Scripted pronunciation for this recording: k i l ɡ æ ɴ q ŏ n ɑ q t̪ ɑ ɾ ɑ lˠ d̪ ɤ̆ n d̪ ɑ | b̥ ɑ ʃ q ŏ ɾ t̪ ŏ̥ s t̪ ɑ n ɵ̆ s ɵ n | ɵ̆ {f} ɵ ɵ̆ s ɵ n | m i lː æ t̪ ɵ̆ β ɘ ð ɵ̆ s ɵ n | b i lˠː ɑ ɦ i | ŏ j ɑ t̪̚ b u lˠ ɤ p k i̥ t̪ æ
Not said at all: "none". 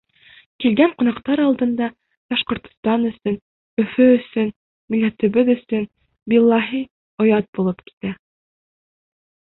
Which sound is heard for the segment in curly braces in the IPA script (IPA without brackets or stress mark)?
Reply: f